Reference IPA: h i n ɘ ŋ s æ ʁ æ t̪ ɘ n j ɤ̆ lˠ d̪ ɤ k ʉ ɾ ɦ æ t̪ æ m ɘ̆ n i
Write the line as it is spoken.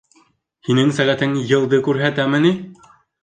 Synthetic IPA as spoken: h i n ɘ ŋ s æ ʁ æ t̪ ɘ ŋ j ɤ̆ lˠ d̪ ɤ k ʉ ɾ ɦ æ t̪ æ m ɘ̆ n i